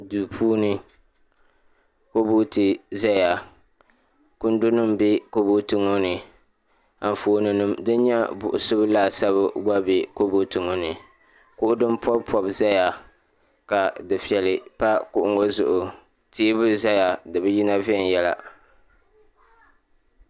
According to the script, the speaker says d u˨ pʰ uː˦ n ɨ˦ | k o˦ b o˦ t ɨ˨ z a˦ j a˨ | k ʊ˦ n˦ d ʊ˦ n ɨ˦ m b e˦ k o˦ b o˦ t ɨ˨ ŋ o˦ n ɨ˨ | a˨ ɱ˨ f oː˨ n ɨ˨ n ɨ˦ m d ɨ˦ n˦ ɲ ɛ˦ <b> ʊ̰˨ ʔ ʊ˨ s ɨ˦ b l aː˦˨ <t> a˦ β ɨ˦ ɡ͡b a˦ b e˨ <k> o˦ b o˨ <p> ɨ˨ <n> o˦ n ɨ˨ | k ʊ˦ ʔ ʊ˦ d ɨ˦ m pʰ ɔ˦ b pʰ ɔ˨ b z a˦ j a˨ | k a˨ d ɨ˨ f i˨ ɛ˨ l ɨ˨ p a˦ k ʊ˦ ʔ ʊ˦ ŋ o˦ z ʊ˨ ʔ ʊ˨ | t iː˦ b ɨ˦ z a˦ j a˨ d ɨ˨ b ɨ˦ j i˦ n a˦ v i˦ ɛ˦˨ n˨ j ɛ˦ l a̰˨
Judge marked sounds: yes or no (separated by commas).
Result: yes, no, yes, no, no